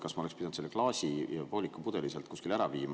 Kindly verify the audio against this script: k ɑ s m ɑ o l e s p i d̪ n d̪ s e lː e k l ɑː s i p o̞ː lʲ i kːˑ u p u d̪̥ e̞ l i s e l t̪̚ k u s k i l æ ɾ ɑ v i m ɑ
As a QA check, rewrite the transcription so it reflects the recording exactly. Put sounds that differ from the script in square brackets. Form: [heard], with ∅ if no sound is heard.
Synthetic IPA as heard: k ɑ s m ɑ o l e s p i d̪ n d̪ s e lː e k l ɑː s i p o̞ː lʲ i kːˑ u p u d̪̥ e̞ l i s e l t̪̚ k u s k i l æ ɾ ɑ v [iː] m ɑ